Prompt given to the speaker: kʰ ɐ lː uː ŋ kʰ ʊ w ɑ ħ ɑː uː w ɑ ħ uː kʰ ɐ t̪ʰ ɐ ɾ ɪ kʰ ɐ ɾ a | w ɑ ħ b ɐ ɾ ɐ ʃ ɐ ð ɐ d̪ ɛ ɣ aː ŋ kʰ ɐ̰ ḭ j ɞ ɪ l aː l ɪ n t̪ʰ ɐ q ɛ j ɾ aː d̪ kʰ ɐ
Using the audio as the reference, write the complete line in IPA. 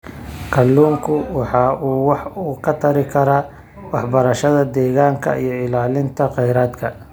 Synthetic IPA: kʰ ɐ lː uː ŋ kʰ ʊ w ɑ ħ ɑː uː w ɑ ħ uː kʰ ɐ t̪ʰ ɐ ɾ ɪ kʰ ɐ ɾ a | w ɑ ħ b ɐ ɾ ɐ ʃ ɐ ð ɐ d̪ ɛː ɣ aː ŋ kʰ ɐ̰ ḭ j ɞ ɪ l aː l ɪ n t̪ʰ ɐ q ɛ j ɾ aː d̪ kʰ ɐ

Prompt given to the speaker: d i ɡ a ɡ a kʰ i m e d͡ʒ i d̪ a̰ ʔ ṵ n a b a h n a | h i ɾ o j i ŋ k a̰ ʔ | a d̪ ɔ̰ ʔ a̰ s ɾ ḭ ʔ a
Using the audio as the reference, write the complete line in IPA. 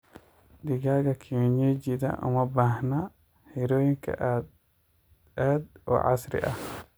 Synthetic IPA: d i ɡ a ɡ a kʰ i ɲ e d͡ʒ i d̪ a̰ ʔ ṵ m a b a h n a | h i ɾ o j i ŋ k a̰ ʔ | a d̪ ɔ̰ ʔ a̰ s ɾ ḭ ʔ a

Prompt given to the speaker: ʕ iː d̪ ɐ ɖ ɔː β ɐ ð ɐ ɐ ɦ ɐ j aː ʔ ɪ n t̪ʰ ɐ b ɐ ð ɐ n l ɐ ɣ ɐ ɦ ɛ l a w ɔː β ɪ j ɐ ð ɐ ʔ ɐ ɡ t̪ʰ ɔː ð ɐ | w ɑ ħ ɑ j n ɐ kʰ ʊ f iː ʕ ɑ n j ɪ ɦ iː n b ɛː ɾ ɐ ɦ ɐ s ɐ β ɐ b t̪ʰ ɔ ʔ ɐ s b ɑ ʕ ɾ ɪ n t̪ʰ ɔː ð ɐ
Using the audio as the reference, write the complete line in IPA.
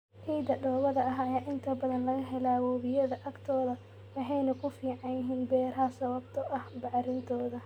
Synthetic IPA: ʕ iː d̪ ɐ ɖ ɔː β ɐ ð ɐ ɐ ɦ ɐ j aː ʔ ɪ n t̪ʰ ɐ b ɐ ð ɐ n l ɐ ɣ ɐ ɦ ɛ l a w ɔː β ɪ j ɐ ð ɐ ʔ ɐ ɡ t̪ʰ ɔː ð ɐ | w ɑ ħ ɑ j n ɐ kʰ ʊ f iː ʕ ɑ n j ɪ ɦ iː n b ɛː ɾ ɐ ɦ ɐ s ɐ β ɐ b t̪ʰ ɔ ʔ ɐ h b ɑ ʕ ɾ ɪ n t̪ʰ ɔː ð ɐ

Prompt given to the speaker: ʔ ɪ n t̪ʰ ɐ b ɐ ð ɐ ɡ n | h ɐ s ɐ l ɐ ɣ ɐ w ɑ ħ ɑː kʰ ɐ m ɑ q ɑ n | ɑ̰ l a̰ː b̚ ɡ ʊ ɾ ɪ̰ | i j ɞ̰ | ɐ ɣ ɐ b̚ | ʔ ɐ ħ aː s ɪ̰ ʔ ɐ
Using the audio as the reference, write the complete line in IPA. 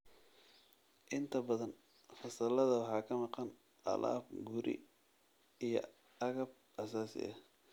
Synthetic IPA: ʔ ɪ n t̪ʰ ɐ b ɐ ð ɐ n | f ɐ s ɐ l ɐ ð ɐ w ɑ ħ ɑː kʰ ɐ m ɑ q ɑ n | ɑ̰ l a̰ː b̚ ɡ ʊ ɾ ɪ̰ | i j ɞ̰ | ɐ ɣ ɐ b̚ | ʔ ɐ s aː s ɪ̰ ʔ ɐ

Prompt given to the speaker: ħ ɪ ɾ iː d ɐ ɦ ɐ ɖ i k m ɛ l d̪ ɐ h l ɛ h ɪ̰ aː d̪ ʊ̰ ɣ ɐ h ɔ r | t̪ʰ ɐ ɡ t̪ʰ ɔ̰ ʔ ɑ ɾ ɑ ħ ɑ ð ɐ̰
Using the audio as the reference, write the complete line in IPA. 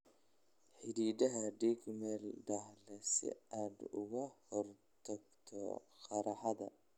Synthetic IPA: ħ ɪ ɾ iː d ɐ ɦ ɐ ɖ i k m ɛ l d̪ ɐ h l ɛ s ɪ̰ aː d̪ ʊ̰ ɣ ɐ h ɔ r | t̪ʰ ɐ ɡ t̪ʰ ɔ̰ q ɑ ɾ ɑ ħ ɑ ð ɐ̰

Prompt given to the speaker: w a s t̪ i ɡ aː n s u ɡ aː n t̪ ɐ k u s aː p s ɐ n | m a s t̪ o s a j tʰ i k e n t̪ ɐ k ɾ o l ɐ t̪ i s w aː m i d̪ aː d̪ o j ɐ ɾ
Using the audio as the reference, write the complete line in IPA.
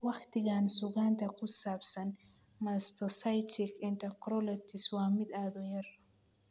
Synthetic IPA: w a x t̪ i ɡ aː n s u ɡ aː n t̪ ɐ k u s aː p s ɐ n | m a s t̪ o s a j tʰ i k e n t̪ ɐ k ɾ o l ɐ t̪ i s w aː m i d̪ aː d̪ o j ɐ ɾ

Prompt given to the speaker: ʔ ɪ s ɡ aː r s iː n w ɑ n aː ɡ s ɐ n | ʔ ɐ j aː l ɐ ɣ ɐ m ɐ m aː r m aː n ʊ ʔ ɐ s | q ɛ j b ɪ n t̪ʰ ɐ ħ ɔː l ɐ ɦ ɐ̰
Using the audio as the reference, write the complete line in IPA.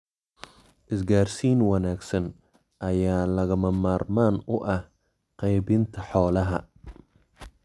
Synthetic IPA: ʔ ɪ s ɡ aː r s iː n w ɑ n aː ɡ s ɐ n | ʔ ɐ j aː l ɐ ɣ ɐ m ɐ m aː r m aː n ʊ ʔ ɐ h | q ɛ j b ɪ n t̪ʰ ɐ ħ ɔː l ɐ ɦ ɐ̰

